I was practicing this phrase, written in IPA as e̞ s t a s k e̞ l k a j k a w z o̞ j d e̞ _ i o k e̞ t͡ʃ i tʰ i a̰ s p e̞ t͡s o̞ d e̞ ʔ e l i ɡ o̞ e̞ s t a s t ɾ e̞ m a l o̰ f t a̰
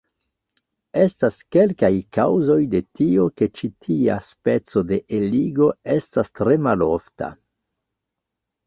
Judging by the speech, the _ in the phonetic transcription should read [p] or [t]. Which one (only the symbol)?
t